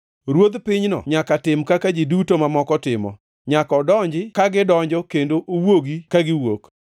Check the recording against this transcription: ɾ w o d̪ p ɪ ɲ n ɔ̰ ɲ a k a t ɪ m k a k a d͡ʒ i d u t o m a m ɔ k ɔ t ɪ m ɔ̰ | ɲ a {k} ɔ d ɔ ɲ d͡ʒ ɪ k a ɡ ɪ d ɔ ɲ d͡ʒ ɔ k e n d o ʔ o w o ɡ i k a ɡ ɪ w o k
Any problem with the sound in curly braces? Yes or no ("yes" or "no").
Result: no